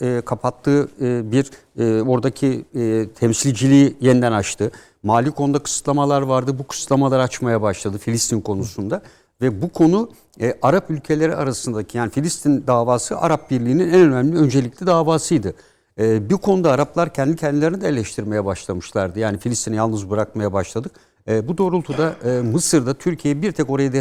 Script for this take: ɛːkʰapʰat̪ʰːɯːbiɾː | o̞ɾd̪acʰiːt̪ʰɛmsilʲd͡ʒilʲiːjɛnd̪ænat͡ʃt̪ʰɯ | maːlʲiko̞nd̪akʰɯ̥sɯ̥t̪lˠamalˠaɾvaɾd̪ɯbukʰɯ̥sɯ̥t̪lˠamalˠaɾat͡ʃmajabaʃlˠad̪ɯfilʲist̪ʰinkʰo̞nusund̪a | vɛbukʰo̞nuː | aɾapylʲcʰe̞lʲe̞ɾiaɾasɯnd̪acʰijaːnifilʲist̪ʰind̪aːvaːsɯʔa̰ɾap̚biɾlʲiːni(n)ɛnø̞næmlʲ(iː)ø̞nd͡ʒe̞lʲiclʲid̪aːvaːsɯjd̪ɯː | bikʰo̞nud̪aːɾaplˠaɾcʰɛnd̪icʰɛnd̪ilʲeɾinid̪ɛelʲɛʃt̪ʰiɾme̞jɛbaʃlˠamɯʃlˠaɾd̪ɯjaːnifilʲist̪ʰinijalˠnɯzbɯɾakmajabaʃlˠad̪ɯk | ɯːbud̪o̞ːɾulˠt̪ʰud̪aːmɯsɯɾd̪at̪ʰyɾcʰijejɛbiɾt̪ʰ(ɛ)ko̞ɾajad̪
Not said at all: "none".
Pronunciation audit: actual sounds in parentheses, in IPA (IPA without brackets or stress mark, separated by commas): n, i, ɛ